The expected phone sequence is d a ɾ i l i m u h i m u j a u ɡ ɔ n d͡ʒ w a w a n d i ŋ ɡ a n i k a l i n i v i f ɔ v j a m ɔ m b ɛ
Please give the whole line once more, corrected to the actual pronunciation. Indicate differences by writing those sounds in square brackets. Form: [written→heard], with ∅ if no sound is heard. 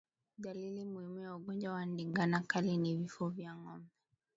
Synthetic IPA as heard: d a [ɾ→l] i l i m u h i m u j a u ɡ ɔ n d͡ʒ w a w a n d i ŋ ɡ a n [i→a] k a l i n i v i f ɔ v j a [m→ŋ] ɔ m b ɛ